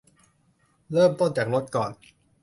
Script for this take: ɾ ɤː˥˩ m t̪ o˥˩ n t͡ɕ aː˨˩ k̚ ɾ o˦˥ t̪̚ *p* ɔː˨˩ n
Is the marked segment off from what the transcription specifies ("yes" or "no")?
yes